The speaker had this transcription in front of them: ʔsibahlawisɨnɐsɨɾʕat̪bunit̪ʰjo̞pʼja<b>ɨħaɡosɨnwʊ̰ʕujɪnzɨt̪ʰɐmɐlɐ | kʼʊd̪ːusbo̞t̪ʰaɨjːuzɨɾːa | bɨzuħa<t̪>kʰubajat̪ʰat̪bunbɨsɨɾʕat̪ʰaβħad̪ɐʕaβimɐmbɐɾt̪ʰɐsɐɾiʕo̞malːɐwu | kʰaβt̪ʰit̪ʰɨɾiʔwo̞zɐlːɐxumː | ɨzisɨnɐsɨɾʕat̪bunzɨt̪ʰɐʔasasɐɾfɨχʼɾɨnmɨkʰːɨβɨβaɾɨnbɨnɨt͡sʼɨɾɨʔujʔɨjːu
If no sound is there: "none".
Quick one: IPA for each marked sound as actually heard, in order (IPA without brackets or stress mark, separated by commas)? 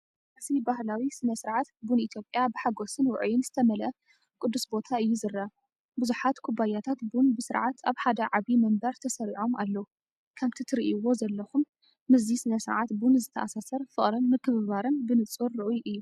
b, t̪